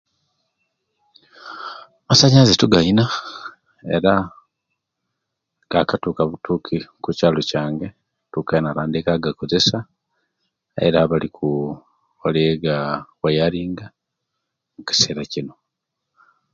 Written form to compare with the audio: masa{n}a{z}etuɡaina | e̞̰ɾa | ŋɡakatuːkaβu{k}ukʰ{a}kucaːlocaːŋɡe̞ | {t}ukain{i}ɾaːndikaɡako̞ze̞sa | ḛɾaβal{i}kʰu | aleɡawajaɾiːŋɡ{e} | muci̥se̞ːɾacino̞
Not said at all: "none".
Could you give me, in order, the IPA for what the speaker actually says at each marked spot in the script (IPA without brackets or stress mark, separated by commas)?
ɲ, z, t, i, t, a, i, a